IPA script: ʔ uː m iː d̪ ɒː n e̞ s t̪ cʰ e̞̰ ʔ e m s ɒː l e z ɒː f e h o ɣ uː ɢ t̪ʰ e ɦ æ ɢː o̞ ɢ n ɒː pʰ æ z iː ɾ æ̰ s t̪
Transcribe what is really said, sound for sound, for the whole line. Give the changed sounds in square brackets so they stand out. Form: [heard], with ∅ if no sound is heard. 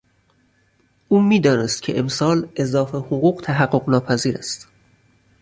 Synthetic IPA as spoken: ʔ uː m iː d̪ ɒː n e̞ s t̪ cʰ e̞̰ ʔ e m s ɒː l e z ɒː f e h o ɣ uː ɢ t̪ʰ [æ] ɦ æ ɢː o̞ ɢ n ɒː pʰ æ z iː ɾ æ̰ s t̪